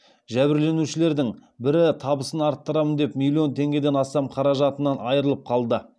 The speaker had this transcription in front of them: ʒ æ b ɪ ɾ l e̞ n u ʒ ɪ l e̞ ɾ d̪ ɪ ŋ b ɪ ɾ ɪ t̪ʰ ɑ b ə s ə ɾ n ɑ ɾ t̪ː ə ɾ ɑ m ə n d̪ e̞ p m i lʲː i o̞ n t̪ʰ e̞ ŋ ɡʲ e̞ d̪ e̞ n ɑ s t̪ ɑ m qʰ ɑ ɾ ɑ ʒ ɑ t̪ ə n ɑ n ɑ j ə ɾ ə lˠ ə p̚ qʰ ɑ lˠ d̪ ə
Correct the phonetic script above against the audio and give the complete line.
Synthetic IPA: ʒ æ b ɪ ɾ l e̞ n u ʃ ɪ l e̞ ɾ d̪ ɪ ŋ b ɪ ɾ ɪ t̪ʰ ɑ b ə s ə n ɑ ɾ t̪ː ə ɾ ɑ m ə n d̪ e̞ p m i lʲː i o̞ n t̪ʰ e̞ ŋ ɡʲ e̞ d̪ e̞ n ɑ s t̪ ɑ m qʰ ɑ ɾ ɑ ʒ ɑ t̪ ə n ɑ n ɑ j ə ɾ ə lˠ ə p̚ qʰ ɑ lˠ d̪ ə